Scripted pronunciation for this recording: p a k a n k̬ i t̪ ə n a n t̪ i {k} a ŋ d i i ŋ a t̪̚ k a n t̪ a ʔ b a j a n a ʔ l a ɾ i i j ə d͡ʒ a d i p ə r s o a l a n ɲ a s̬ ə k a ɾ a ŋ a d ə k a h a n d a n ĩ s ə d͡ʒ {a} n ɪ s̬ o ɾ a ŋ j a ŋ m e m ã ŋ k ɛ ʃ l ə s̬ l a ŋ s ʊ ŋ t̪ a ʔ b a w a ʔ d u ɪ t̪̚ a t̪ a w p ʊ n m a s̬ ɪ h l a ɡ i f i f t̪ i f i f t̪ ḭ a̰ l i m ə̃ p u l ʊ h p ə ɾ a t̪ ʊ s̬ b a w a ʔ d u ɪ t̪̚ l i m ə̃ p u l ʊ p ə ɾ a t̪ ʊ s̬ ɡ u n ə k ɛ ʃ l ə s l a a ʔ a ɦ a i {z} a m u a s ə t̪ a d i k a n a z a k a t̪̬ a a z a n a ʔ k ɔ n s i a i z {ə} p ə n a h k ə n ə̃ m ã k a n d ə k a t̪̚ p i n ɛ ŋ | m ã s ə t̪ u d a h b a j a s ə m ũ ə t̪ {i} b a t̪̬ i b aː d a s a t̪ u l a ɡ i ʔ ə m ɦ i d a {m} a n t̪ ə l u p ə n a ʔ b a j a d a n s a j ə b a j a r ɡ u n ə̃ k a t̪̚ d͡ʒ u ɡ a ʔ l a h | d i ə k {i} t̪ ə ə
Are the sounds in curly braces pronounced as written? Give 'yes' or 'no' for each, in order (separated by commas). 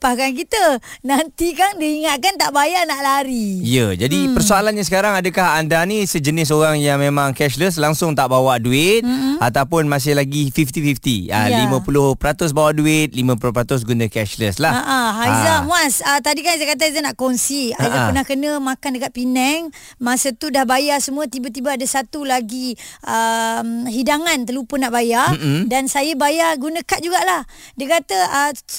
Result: yes, no, yes, no, yes, no, no